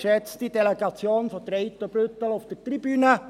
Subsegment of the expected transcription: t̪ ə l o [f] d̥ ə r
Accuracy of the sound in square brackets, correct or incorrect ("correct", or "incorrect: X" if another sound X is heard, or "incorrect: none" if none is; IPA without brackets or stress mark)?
correct